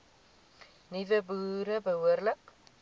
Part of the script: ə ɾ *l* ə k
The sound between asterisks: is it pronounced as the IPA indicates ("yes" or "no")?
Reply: yes